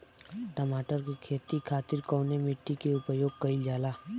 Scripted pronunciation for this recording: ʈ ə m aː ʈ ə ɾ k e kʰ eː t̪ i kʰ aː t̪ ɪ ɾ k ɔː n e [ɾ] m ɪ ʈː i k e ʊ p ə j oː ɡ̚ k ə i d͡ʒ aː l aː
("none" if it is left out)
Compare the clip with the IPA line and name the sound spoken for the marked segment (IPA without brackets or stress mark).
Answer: none